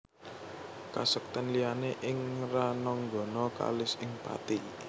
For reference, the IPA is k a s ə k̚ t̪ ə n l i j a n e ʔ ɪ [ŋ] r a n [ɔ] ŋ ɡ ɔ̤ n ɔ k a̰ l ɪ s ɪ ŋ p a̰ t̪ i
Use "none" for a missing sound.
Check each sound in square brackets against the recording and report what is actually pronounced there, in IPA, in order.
ŋ, ɔ

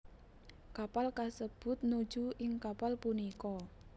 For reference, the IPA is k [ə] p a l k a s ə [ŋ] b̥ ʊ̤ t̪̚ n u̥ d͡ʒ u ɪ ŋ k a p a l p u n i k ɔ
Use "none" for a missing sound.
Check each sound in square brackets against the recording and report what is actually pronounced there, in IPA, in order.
a, none

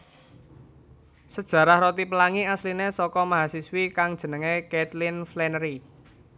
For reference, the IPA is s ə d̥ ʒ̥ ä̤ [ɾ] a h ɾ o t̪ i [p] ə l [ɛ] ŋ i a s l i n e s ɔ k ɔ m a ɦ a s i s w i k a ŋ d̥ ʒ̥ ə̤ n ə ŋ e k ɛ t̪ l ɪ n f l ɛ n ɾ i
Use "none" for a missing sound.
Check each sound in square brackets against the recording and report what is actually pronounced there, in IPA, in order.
ɾ, p, a

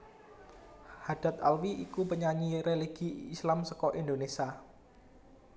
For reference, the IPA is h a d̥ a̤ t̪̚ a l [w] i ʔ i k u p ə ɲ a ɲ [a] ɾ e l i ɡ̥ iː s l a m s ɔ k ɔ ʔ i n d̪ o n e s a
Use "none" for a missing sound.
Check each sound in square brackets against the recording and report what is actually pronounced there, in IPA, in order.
w, i

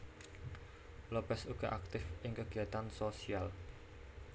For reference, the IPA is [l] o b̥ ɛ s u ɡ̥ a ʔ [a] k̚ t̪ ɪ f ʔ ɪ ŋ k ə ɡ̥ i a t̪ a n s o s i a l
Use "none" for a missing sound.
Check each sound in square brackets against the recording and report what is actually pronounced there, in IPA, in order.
l, a

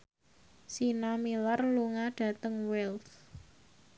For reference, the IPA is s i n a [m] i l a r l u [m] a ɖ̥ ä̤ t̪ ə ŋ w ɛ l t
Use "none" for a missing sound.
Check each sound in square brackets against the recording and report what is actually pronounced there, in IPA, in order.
m, ŋ

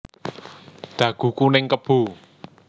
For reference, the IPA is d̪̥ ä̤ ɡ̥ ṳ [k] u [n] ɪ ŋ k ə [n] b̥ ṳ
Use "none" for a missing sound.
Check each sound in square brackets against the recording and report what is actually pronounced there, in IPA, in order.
k, n, none

